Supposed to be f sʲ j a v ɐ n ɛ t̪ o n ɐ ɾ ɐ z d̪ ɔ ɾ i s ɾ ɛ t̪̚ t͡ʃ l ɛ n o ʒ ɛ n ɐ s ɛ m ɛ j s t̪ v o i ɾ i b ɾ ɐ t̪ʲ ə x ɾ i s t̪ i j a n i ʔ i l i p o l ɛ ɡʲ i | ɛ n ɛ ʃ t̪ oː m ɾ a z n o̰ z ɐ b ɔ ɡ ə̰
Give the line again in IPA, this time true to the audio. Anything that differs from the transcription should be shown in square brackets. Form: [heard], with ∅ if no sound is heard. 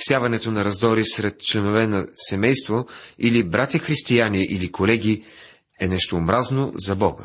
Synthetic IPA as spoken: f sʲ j a v ɐ n ɛ t̪ o n ɐ ɾ ɐ z d̪ ɔ ɾ i s ɾ ɛ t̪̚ t͡ʃ l ɛ n o [v] ɛ n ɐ s ɛ m ɛ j s t̪ v o i [l] i b ɾ [a] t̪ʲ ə x ɾ i s t̪ i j a n i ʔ i l i [k] o l ɛ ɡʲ i | ɛ n ɛ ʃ t̪ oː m ɾ a z n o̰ z ɐ b ɔ ɡ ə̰